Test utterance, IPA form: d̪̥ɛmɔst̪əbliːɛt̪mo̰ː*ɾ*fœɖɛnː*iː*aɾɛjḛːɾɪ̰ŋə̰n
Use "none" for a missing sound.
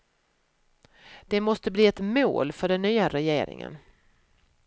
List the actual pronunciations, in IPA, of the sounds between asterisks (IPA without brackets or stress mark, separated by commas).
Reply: l, yː